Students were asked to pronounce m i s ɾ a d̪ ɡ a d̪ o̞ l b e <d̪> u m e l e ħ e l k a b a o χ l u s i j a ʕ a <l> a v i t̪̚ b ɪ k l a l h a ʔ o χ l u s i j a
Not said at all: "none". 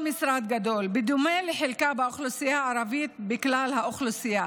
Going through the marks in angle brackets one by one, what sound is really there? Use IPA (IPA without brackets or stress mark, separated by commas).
d̪, ɾ